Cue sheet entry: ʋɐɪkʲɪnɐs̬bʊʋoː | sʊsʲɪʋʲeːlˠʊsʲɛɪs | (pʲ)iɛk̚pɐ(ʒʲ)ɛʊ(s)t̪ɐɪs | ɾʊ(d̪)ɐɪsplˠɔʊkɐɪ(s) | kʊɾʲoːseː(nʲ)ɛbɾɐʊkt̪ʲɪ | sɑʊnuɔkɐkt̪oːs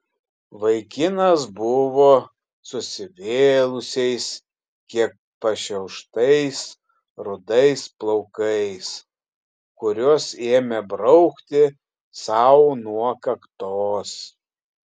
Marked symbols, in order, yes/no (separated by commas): no, no, no, yes, yes, no